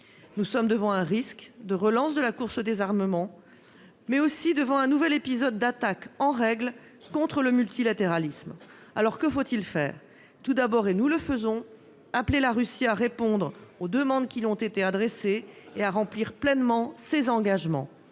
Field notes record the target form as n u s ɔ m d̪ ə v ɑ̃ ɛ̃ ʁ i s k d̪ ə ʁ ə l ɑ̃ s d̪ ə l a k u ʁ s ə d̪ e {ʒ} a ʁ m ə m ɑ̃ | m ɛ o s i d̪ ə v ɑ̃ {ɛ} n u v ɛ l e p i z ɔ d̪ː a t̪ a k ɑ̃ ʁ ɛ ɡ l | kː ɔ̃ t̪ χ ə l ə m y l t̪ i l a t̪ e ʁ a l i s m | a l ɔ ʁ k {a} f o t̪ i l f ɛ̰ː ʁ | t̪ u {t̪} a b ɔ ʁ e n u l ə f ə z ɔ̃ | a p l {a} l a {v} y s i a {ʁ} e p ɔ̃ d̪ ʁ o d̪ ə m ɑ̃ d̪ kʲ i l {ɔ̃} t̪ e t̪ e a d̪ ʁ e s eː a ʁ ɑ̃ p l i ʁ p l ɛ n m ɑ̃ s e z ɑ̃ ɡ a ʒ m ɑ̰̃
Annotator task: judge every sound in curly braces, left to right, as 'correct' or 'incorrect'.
incorrect: z, incorrect: ɛ̃, incorrect: ə, incorrect: d̪, incorrect: e, incorrect: ʁ, correct, correct

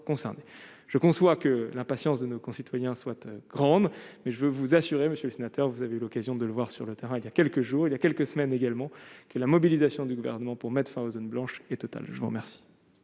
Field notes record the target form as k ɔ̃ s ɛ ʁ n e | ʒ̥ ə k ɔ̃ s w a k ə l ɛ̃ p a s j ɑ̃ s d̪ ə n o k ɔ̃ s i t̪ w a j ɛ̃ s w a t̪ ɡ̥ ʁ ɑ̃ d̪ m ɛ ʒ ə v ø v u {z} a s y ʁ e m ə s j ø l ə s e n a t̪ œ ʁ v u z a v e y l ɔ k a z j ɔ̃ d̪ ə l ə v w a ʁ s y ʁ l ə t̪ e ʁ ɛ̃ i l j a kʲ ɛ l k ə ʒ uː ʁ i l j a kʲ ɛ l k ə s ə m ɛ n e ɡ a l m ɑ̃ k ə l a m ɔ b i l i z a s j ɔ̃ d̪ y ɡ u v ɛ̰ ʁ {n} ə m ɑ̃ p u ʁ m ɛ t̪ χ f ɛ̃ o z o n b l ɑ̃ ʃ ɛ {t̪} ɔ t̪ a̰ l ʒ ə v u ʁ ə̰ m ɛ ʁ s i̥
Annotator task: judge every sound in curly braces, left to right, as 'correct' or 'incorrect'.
correct, correct, correct

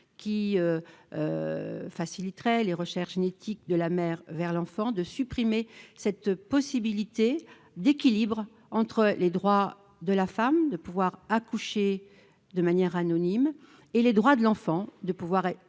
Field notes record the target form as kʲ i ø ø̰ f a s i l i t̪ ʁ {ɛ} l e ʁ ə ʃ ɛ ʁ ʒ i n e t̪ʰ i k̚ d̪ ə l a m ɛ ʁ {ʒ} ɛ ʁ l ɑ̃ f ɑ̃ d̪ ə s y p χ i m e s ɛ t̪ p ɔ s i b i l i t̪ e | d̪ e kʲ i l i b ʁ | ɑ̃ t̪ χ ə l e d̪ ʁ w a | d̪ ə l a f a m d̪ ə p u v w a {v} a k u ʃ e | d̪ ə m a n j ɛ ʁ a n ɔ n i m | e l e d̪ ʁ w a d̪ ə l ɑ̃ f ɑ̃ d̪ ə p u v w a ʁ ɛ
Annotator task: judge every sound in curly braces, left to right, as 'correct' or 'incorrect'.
correct, incorrect: v, incorrect: ʁ

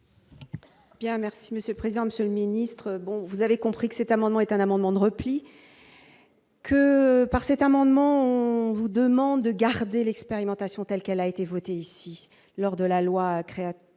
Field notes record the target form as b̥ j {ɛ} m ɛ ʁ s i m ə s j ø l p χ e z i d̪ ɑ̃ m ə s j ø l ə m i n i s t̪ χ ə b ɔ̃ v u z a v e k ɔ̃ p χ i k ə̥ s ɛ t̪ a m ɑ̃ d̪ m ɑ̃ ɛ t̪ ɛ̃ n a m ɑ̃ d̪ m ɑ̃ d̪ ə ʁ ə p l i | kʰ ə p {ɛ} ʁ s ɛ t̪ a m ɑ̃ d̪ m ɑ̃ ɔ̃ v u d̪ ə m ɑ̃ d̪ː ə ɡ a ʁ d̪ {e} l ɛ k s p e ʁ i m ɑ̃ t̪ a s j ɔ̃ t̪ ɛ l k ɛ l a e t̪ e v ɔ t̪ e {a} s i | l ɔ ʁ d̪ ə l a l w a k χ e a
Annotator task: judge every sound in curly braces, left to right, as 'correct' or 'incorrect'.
incorrect: ɛ̃, incorrect: a, correct, incorrect: i

